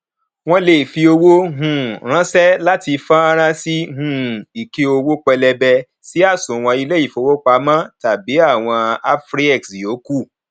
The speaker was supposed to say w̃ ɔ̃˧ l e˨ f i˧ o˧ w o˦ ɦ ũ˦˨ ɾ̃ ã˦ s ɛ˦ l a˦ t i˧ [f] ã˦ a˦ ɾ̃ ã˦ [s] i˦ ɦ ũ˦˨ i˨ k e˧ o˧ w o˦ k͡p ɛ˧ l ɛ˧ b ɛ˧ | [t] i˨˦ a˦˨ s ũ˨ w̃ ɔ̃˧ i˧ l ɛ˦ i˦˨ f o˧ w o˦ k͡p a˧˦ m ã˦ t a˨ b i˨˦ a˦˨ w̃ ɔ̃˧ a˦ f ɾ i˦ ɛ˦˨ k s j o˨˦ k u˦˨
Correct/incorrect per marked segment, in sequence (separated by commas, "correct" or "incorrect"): correct, correct, incorrect